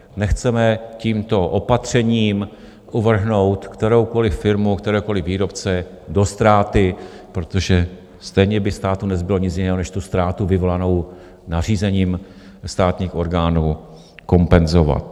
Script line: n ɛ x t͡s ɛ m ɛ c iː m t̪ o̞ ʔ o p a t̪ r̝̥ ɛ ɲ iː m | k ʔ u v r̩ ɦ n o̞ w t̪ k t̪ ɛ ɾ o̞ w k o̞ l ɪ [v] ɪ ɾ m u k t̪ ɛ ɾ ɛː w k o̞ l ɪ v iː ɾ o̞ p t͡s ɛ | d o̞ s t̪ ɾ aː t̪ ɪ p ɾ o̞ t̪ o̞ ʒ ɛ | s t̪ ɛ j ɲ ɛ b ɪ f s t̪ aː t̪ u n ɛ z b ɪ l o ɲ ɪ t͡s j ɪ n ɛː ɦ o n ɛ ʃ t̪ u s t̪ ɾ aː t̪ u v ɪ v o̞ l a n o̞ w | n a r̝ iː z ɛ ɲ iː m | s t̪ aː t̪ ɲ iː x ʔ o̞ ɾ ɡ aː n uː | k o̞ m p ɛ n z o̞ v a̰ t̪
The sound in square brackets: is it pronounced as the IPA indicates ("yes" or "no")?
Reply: no